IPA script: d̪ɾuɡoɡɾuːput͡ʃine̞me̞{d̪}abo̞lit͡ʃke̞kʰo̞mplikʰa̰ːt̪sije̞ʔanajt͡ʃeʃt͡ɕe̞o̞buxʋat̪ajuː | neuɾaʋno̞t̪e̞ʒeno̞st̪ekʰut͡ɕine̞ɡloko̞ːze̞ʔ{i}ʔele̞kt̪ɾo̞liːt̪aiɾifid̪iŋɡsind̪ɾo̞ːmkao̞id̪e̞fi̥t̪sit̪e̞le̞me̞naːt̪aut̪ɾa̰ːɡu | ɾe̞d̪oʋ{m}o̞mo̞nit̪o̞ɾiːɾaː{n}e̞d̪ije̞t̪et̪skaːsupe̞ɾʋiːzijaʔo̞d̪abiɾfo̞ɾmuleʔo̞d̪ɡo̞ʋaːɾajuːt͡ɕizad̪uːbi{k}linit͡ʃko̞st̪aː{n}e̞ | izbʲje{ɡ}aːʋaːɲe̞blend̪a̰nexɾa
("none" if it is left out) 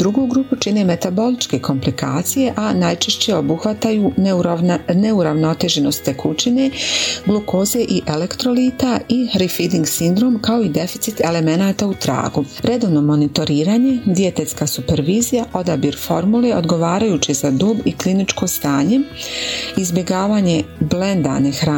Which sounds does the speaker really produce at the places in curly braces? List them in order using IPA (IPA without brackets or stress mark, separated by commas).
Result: t̪, i, n, ɲ, k, ɲ, ɡ